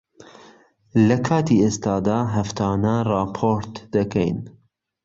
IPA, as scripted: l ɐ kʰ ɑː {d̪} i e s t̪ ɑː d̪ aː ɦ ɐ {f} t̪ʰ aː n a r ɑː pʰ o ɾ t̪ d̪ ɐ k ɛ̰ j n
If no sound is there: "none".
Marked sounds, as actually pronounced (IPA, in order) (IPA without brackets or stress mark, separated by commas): t̪, f